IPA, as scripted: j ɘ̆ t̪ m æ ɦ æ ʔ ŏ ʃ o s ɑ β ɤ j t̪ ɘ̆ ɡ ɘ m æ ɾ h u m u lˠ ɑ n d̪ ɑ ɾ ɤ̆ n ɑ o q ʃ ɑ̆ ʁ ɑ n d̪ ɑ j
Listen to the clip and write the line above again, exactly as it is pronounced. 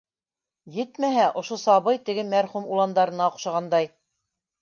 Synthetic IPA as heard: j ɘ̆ t̪ m æ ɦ æ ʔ ŏ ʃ o s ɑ β ɤ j t̪ ɘ̆ ɡ ɘ m æ ɾ χ u m u lˠ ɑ n d̪ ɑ ɾ ɤ̆ n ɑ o q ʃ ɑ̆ ʁ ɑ n d̪ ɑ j